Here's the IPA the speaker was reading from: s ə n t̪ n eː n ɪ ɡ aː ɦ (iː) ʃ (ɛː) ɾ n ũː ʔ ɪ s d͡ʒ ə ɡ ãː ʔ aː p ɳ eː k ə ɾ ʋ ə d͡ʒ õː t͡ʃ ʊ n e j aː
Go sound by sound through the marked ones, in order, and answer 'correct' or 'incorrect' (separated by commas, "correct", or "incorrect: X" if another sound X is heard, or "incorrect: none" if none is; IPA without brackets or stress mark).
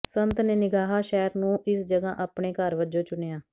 incorrect: aː, correct